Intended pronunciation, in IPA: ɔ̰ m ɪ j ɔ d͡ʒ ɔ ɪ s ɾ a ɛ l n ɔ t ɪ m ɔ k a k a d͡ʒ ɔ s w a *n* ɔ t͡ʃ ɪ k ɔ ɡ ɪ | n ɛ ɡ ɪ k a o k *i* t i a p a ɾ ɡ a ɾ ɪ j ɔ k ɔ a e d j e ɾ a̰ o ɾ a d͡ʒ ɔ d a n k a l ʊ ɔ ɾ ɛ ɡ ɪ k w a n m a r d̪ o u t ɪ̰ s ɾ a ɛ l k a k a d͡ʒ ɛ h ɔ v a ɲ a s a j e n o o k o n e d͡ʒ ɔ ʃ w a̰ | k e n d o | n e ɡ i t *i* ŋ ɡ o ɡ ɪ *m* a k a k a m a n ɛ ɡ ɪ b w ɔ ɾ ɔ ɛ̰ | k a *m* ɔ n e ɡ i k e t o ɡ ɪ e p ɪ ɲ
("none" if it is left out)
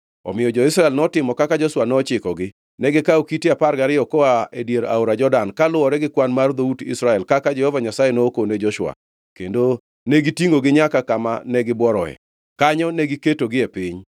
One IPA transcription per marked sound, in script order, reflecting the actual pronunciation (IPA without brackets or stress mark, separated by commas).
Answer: n, i, i, ɲ, ɲ